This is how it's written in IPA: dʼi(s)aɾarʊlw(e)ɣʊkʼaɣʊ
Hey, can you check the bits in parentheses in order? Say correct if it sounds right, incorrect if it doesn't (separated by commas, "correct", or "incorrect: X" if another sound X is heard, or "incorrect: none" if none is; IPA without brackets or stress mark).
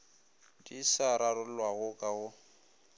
correct, incorrect: a